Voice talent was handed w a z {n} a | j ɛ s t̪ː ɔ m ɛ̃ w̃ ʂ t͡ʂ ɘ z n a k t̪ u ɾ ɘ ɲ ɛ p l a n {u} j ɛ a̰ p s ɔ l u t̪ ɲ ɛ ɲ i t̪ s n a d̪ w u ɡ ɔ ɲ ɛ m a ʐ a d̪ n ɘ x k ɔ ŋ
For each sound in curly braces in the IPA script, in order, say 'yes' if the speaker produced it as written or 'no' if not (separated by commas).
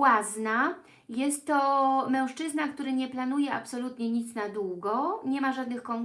yes, yes